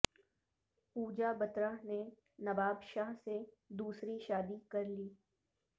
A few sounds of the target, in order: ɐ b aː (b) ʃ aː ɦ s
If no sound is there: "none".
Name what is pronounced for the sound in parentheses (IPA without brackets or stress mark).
b